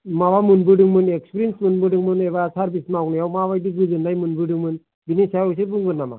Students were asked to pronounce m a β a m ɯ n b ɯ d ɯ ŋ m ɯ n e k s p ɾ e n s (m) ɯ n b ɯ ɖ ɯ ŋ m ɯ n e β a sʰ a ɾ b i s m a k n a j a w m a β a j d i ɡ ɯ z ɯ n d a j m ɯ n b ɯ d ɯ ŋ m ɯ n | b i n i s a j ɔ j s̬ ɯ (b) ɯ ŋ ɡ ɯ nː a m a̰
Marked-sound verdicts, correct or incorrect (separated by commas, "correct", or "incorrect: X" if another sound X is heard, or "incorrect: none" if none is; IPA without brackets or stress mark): correct, correct